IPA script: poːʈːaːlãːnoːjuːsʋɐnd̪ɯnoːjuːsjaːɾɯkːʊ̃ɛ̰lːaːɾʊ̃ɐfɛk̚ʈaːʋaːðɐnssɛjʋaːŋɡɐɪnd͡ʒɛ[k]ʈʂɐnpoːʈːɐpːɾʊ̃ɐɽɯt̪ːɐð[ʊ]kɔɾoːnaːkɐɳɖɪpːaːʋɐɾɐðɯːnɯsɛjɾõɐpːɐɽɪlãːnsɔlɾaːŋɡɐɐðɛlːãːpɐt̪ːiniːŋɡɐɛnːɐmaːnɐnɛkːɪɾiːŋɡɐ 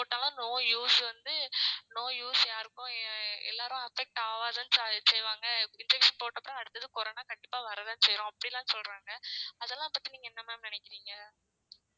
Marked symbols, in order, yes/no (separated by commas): yes, no